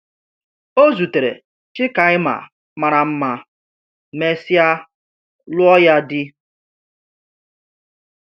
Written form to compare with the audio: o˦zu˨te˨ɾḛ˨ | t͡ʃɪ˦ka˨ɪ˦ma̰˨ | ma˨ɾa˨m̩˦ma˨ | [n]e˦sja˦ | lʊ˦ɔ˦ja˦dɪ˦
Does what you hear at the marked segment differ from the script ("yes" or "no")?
yes